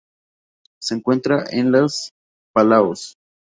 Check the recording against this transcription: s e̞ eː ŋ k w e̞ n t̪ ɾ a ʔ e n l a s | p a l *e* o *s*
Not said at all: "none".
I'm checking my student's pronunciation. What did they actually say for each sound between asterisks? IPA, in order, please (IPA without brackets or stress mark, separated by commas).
a, s